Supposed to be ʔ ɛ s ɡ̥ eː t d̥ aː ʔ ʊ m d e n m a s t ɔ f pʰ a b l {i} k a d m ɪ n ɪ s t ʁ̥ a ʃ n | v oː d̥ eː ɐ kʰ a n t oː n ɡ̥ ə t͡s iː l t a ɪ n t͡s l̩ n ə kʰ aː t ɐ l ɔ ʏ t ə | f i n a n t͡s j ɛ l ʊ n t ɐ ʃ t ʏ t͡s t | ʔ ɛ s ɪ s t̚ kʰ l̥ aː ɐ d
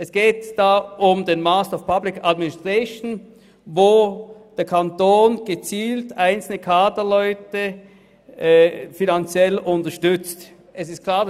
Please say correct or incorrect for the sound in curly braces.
incorrect